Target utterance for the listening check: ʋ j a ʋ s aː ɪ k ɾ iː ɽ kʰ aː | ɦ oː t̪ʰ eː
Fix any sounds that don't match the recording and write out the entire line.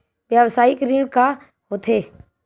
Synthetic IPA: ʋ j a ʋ s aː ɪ k ɾ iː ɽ k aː | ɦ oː t̪ʰ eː